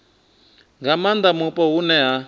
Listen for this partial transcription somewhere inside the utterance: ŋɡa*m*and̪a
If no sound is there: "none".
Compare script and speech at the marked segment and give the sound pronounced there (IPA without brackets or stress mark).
m